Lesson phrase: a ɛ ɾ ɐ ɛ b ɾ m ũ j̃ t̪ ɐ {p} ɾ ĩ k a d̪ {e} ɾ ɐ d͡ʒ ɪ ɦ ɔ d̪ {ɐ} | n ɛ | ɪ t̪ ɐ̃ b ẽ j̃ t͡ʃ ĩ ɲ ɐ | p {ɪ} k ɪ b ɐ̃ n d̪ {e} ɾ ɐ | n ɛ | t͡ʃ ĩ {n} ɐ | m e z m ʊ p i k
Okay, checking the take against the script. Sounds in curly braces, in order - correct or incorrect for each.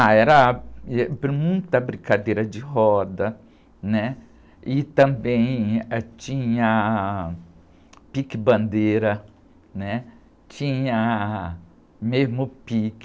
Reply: incorrect: b, correct, correct, incorrect: i, correct, incorrect: ɲ

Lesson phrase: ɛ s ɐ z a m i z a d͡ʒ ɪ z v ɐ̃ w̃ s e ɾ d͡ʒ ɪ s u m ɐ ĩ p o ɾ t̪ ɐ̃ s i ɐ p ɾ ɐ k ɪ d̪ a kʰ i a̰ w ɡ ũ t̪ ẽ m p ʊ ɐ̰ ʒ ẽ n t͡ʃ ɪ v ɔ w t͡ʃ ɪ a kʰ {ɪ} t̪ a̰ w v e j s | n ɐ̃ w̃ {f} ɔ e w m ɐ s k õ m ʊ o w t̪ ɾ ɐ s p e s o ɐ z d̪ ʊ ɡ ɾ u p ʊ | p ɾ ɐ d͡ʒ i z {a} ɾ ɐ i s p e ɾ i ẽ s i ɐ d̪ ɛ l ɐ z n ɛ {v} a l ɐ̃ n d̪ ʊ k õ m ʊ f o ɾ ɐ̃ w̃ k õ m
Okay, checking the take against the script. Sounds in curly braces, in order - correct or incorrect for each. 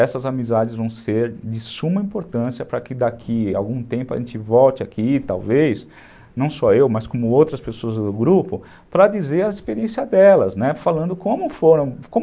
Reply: incorrect: i, incorrect: s, incorrect: e, incorrect: f

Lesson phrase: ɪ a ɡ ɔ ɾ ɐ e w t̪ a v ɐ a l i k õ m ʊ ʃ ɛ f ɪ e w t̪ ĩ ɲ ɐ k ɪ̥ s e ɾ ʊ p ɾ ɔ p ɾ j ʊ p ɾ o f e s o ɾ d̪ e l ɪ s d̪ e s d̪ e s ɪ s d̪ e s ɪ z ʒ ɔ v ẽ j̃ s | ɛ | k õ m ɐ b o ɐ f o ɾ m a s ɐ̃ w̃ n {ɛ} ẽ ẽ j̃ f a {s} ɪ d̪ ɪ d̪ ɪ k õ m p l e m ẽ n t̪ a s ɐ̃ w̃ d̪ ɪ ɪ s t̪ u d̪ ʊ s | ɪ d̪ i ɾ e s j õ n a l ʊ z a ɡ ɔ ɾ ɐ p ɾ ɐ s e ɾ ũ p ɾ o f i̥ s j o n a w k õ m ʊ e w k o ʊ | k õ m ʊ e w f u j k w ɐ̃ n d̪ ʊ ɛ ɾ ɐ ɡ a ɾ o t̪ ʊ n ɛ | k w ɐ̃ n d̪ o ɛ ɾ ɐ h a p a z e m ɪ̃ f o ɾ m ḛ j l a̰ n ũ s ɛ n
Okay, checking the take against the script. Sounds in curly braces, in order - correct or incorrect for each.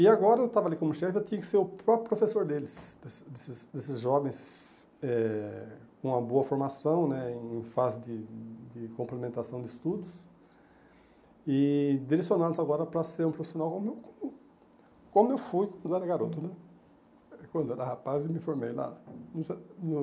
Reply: correct, incorrect: z

